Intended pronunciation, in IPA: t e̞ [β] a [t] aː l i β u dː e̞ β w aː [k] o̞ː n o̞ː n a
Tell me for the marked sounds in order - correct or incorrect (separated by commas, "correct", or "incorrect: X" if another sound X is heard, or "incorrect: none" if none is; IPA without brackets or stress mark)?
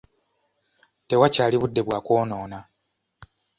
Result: incorrect: w, incorrect: c, correct